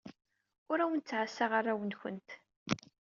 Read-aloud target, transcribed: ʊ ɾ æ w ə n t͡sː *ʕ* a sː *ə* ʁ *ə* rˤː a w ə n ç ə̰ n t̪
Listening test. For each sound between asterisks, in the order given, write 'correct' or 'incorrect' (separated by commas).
correct, incorrect, incorrect